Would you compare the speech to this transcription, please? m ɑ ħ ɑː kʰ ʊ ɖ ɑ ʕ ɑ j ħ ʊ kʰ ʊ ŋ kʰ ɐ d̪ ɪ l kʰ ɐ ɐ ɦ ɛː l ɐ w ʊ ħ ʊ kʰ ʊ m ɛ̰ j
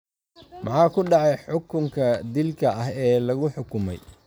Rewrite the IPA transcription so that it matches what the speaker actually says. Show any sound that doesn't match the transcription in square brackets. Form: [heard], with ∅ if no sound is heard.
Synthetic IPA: m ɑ ħ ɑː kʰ ʊ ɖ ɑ ʕ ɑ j ħ ʊ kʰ ʊ ŋ kʰ ɐ d̪ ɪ l kʰ ɐ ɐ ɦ ɛː l ɐ [ɣ] ʊ ħ ʊ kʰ ʊ m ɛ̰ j

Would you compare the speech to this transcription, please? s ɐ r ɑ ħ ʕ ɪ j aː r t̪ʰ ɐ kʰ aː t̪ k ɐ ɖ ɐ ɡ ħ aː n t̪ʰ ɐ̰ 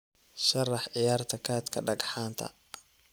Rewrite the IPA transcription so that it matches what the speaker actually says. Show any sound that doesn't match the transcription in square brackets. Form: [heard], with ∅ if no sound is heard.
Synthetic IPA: [ʃ] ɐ r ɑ ħ ʕ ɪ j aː r t̪ʰ ɐ kʰ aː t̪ [kʰ] ɐ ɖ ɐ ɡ ħ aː n t̪ʰ ɐ̰

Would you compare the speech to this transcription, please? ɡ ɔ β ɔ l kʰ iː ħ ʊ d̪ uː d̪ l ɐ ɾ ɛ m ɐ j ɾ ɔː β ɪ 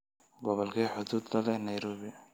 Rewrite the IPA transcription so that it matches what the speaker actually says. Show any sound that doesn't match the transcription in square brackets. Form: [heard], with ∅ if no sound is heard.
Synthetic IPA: ɡ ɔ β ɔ l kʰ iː ħ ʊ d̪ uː d̪ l ɐ [l] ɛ [n] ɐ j ɾ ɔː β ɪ

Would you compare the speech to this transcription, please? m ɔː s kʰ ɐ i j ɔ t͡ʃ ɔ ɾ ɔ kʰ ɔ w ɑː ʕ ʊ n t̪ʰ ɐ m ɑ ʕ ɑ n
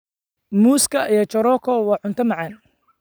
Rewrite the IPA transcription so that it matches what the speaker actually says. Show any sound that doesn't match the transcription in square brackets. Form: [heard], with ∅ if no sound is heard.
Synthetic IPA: m [uː] s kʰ ɐ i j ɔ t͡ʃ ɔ ɾ ɔ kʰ ɔ w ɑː ʕ ʊ n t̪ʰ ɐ m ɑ ʕ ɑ n

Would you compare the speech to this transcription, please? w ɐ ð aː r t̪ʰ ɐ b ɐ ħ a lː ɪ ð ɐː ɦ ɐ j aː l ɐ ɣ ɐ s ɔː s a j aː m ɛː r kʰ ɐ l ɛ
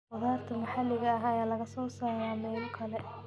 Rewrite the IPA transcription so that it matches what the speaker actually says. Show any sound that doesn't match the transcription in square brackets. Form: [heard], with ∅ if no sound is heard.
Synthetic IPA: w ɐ ð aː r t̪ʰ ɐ [m] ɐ ħ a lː ɪ [ɣ] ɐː ɦ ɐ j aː l ɐ ɣ ɐ s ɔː s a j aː m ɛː [l] kʰ ɐ l ɛ

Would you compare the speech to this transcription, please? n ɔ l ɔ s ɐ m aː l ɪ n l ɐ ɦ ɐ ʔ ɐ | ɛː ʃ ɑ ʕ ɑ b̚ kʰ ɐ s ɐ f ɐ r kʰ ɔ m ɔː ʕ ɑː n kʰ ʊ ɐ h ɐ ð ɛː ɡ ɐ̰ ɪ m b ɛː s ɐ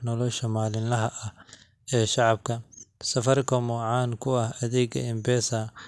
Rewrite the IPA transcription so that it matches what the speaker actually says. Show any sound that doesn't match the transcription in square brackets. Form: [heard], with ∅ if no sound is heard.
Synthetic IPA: n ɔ l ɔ [ʃ] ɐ m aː l ɪ n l ɐ ɦ ɐ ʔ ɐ | ɛː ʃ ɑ ʕ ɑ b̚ kʰ ɐ s ɐ f ɐ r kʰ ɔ m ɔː ʕ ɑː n kʰ ʊ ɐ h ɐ ð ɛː ɡ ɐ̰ ɪ m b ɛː s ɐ

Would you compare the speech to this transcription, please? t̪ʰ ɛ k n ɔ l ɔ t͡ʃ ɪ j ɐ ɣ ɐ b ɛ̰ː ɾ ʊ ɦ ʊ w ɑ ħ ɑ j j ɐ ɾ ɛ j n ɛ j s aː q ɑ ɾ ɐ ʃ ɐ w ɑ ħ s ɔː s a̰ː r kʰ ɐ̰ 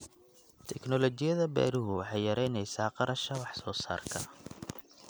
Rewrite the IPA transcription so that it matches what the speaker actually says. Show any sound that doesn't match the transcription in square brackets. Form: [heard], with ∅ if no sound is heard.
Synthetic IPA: t̪ʰ ɛ k n ɔ l ɔ t͡ʃ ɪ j ɐ [ð] ɐ b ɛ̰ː ɾ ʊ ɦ ʊ w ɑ ħ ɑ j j ɐ ɾ ɛ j n ɛ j s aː q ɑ ɾ ɐ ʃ ɐ w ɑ ħ s ɔː s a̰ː r kʰ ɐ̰

